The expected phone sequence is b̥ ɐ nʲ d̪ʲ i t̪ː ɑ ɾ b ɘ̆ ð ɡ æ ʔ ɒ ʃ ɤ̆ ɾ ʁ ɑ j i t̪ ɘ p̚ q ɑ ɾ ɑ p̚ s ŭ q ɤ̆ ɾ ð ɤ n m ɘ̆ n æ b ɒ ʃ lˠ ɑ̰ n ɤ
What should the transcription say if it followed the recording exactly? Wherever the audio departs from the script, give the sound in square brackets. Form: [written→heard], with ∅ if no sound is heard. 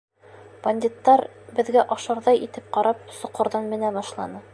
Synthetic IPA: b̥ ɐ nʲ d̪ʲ i t̪ː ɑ ɾ b ɘ̆ ð ɡ æ ʔ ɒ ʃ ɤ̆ ɾ [ʁ→ð] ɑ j i t̪ ɘ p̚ q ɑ ɾ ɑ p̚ s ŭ q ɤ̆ ɾ ð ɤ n m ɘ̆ n æ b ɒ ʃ lˠ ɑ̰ n ɤ